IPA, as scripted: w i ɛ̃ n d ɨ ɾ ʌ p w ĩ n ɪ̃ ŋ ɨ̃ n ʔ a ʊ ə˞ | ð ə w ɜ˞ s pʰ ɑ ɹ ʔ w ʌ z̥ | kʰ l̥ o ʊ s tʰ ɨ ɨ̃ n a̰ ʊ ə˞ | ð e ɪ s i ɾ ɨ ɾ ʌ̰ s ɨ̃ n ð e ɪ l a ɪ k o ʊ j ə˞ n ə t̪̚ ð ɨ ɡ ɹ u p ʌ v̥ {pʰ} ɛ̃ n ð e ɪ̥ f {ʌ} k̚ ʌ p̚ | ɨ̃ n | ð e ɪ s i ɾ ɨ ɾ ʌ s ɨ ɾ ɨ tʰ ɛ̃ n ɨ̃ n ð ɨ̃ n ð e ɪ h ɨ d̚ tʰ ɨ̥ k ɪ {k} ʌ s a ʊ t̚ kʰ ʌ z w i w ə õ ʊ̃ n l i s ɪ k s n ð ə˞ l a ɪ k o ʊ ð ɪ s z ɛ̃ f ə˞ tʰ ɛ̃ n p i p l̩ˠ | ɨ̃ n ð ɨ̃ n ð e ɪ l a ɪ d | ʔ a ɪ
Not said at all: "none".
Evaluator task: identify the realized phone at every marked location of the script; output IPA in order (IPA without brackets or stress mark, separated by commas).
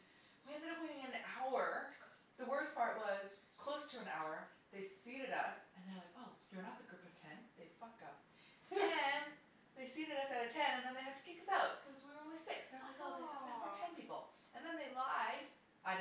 tʰ, ʌ, k